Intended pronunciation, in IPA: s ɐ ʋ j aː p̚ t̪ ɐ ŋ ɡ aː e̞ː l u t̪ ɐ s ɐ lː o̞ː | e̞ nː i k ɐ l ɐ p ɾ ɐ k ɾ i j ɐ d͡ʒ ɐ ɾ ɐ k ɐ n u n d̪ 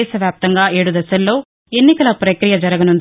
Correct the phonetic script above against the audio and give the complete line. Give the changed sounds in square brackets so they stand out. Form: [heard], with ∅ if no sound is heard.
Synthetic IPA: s ɐ ʋ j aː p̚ t̪ ɐ ŋ ɡ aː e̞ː [ɽ] u [d̪] ɐ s ɐ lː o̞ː | e̞ nː i k ɐ l ɐ p ɾ ɐ k ɾ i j ɐ d͡ʒ ɐ ɾ ɐ [ɡ] ɐ n u n d̪